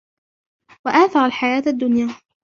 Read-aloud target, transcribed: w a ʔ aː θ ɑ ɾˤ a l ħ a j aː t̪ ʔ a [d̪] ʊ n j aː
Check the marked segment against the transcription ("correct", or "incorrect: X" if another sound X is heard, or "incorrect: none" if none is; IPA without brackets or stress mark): incorrect: d̪ː